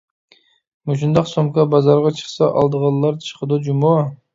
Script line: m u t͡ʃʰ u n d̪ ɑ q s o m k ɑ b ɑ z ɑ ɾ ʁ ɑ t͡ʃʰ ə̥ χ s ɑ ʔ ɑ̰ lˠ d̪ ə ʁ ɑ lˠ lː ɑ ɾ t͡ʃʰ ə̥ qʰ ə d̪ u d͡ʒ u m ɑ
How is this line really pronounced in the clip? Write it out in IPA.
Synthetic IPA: m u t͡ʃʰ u n d̪ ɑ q s o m k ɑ b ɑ z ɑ ɾ ʁ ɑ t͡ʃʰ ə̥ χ s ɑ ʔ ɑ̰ lˠ d̪ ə ʁ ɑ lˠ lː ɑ ɾ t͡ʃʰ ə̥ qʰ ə d̪ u d͡ʒ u m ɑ